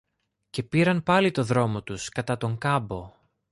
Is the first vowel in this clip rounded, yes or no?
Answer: no